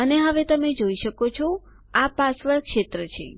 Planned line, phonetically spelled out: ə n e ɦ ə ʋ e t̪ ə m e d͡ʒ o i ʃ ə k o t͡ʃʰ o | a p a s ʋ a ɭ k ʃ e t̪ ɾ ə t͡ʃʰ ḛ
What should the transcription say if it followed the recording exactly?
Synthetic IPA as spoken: ə n e ɦ ə ʋ e t̪ ə m e d͡ʒ o i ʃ ə k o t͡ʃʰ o | a p a s ʋ ə ɭ k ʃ e t̪ ɾ ə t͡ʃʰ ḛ